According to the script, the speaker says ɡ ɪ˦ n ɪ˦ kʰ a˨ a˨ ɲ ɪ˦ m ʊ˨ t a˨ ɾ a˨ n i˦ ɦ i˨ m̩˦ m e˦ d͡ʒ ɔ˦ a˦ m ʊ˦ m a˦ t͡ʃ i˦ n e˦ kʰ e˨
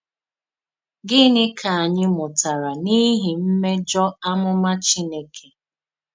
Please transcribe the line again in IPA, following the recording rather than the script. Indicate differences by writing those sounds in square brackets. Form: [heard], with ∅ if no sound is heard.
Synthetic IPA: ɡ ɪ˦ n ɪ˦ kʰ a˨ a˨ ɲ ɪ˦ m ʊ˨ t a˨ ɾ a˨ n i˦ ɦ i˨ m̩˦ m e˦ d͡ʒ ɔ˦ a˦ m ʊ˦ m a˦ t͡ʃ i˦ n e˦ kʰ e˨